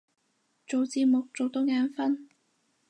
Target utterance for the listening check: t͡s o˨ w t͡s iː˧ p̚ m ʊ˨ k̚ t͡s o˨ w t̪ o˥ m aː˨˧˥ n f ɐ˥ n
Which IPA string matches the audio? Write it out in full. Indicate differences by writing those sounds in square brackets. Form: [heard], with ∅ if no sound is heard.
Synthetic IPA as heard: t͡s o˨ w t͡s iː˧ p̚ m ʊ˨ k̚ t͡s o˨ w t̪ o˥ [ŋ] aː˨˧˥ n f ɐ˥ n